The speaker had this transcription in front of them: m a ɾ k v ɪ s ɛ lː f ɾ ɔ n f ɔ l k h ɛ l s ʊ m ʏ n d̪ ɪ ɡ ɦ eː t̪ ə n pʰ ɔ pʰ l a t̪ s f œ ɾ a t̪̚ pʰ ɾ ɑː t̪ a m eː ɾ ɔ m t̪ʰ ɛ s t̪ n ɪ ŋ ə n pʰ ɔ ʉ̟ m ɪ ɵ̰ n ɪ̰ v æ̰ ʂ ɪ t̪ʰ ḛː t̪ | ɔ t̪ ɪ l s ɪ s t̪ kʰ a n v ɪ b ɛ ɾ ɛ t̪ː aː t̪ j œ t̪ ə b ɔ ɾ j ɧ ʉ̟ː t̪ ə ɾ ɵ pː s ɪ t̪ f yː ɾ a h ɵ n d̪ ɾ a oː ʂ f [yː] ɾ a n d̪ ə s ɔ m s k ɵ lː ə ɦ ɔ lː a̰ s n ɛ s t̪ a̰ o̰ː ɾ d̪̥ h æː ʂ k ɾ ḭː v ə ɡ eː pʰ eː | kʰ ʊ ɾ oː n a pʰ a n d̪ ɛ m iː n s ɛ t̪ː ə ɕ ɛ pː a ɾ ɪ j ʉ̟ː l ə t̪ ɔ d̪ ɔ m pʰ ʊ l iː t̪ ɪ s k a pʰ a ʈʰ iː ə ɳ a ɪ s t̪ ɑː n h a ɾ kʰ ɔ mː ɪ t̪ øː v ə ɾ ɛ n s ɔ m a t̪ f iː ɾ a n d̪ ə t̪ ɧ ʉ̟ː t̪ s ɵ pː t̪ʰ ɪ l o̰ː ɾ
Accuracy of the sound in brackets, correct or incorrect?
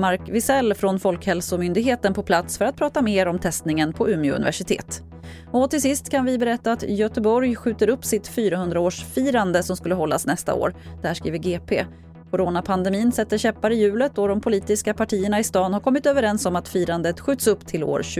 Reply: incorrect